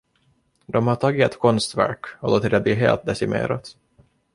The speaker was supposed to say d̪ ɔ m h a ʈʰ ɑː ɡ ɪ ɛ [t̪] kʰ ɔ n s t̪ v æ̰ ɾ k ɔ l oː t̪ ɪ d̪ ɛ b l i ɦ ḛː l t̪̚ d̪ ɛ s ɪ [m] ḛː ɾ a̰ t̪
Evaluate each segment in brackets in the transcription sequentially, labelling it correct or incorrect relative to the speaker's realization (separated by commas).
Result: correct, correct